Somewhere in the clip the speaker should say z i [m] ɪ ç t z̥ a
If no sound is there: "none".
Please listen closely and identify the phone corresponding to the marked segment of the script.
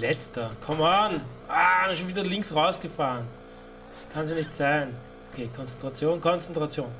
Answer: n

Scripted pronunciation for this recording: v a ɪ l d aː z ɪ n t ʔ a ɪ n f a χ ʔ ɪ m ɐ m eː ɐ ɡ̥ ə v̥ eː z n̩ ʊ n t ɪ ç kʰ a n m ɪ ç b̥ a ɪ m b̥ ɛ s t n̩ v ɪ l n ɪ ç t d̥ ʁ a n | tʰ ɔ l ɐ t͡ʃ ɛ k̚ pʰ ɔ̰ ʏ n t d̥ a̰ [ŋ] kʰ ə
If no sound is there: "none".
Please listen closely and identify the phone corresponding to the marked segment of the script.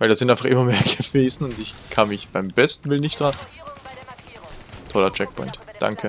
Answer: ŋ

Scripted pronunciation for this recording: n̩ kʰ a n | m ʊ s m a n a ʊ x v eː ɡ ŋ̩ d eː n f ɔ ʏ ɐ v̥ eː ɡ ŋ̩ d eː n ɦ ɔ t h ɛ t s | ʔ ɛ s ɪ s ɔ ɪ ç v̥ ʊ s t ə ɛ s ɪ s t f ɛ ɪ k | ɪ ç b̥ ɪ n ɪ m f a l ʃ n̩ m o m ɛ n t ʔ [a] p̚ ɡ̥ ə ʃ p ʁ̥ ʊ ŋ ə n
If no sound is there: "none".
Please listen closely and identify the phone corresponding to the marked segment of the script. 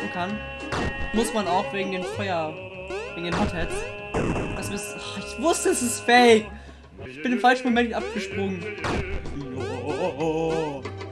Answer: a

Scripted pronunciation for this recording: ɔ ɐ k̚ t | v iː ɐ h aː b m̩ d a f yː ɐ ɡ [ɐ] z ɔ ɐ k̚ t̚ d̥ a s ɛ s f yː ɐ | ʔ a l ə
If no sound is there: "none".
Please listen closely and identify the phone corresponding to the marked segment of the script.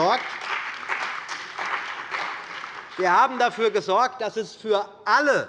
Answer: ə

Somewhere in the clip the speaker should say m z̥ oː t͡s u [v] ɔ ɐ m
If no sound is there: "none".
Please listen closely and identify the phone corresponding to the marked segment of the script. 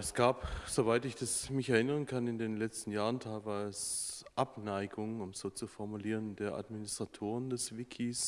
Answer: f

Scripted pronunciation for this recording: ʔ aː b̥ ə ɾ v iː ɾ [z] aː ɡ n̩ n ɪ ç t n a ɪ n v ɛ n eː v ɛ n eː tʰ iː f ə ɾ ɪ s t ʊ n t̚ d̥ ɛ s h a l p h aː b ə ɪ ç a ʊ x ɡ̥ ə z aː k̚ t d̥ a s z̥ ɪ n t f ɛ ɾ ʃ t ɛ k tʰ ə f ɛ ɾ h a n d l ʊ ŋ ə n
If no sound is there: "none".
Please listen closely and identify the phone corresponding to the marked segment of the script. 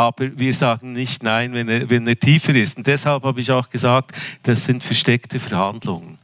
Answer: z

